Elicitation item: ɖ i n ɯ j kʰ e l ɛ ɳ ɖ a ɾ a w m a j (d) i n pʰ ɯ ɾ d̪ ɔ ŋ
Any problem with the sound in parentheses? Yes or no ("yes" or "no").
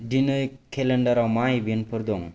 yes